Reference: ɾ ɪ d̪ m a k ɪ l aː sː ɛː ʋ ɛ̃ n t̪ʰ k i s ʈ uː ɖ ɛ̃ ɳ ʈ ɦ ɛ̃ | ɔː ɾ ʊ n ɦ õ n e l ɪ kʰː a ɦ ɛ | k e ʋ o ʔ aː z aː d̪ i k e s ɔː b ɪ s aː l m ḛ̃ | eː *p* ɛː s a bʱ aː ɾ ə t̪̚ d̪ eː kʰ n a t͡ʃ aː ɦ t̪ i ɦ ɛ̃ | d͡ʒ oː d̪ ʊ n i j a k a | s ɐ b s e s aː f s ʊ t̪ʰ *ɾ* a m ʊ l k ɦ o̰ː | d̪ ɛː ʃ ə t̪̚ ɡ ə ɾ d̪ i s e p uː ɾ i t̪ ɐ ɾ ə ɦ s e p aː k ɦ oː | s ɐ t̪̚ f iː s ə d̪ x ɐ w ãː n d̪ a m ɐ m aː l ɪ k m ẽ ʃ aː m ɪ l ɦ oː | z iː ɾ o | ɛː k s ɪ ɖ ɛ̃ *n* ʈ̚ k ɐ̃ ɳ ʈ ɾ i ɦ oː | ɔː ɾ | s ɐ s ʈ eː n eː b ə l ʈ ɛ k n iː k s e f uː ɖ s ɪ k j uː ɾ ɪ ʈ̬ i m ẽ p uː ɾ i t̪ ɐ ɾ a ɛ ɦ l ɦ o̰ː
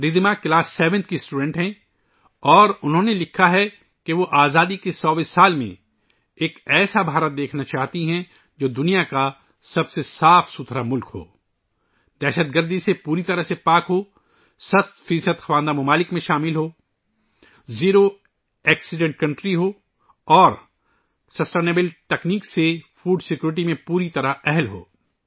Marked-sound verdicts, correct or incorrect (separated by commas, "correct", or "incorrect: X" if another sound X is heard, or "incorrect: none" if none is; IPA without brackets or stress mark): incorrect: k, correct, incorrect: ɳ